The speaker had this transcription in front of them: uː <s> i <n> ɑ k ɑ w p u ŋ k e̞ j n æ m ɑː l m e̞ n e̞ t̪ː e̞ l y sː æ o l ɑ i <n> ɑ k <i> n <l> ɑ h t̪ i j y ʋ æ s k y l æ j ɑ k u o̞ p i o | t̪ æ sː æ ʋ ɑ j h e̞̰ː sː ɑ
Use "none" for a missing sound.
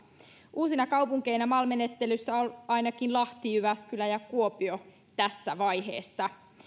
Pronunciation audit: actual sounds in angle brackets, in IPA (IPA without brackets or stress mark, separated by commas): s, n, n, i, l